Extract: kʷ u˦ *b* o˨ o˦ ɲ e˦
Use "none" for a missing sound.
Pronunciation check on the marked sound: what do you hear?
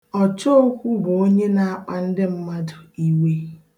b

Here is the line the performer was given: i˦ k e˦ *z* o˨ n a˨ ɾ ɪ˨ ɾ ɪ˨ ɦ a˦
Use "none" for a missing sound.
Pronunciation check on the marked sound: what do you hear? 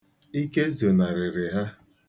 z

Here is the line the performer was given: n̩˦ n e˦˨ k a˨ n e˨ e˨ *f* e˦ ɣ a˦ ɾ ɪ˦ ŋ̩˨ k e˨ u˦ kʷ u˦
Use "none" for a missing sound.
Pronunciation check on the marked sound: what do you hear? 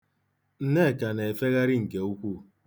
f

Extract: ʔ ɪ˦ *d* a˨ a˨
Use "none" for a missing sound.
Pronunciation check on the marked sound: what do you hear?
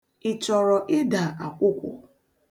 d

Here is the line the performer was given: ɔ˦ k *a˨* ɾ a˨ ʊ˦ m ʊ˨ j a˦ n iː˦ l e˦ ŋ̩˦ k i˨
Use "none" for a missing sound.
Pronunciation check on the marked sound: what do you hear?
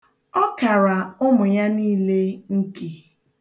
a˨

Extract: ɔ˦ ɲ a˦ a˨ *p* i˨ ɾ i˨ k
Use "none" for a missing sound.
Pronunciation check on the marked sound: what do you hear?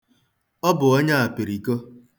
p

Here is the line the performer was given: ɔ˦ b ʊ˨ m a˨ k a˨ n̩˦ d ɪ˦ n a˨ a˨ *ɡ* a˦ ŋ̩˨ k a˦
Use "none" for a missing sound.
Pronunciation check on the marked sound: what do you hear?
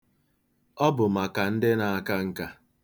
k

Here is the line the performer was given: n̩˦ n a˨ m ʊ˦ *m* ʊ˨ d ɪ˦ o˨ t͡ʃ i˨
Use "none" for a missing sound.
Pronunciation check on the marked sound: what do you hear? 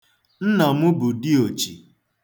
b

